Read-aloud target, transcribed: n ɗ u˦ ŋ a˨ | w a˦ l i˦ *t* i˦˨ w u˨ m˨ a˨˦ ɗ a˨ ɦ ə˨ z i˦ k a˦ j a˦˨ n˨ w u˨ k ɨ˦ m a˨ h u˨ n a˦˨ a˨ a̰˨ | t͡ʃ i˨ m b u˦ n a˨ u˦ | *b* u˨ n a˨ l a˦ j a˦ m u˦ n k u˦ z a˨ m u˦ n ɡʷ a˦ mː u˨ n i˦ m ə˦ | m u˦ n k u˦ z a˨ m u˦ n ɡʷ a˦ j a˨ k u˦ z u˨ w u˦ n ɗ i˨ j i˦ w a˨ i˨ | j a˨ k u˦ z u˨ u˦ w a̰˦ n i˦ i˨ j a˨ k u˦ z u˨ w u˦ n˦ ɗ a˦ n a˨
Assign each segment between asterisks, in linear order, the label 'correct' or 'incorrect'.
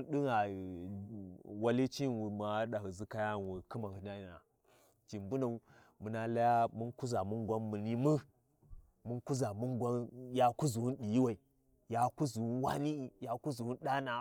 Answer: incorrect: t͡ʃ, incorrect: m

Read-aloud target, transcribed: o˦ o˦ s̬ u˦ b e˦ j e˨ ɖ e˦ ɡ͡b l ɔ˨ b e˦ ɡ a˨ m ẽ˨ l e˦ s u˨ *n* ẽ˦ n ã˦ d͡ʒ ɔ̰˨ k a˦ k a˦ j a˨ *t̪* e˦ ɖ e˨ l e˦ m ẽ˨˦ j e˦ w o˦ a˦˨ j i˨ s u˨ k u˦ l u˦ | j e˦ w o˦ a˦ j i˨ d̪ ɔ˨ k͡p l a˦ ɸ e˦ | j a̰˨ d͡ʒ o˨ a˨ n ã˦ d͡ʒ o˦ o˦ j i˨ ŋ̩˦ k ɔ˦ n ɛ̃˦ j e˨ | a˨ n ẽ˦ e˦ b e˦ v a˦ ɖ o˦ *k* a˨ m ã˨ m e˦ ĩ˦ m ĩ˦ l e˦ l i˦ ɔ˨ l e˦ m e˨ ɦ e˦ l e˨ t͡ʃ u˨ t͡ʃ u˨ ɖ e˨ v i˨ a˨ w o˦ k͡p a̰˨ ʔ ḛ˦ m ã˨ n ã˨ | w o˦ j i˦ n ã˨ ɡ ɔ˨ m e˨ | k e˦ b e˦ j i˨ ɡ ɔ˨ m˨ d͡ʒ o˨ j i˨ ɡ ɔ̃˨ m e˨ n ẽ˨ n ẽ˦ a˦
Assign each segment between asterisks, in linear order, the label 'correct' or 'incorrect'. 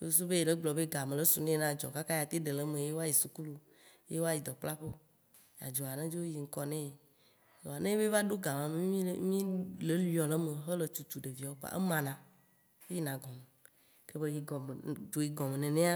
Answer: correct, correct, incorrect: ɡ

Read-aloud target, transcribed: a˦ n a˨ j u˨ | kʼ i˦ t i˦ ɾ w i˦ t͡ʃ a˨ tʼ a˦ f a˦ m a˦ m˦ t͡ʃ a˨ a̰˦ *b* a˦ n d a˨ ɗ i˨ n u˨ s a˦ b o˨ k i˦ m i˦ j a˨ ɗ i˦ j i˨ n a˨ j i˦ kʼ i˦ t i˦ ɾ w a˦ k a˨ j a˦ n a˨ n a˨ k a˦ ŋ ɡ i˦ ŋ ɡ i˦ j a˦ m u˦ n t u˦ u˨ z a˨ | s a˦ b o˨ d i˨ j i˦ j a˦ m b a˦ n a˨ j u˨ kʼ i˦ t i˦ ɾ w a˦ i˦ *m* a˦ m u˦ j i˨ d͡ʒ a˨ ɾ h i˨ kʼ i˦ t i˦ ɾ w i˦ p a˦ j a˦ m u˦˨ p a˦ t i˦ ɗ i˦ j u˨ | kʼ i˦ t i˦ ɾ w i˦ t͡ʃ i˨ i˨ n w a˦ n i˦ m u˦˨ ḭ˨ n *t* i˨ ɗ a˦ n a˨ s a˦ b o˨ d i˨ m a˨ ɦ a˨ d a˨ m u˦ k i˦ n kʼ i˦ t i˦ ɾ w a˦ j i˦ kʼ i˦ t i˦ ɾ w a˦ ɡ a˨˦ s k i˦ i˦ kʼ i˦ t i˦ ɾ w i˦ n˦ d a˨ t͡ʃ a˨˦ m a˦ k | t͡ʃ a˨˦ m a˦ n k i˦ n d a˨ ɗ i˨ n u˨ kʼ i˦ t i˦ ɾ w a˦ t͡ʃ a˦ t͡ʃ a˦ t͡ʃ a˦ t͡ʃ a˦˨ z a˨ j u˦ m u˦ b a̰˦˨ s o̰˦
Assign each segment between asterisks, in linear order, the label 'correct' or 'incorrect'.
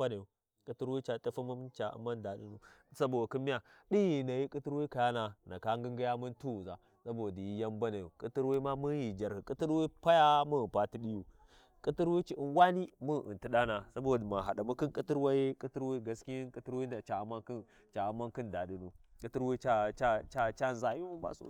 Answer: incorrect: m, correct, correct

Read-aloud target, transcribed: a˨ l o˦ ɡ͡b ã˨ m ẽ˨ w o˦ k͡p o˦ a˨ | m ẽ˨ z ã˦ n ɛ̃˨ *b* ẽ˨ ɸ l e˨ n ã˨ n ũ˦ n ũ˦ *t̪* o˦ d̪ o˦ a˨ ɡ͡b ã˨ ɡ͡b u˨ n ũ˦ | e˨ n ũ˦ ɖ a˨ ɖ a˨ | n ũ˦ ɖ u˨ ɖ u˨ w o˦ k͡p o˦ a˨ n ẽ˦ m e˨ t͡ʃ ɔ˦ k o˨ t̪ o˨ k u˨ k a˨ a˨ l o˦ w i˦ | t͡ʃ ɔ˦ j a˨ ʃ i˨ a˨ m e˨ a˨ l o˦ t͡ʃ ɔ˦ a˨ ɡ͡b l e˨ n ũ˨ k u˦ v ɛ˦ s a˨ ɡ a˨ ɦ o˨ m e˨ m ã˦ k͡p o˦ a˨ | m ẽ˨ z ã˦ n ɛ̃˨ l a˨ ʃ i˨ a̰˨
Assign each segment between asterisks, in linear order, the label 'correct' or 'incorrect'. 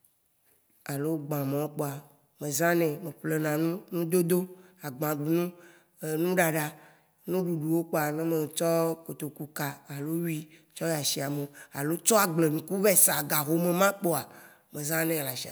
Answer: incorrect: m, incorrect: d̪

